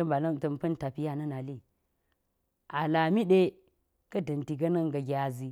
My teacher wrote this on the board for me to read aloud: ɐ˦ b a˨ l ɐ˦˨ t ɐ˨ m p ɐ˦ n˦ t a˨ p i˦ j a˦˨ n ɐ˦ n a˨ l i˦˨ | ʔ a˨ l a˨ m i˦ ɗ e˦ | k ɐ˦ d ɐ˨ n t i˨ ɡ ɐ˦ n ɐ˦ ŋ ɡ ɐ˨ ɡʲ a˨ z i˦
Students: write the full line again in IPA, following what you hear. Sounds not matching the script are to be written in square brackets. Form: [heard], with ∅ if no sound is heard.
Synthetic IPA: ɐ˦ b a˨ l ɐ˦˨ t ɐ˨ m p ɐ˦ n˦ t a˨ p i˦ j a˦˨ n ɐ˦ n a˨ l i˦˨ | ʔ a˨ l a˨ m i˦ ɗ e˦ | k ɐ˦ d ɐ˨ n t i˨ ɡ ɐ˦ n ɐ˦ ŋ ɡ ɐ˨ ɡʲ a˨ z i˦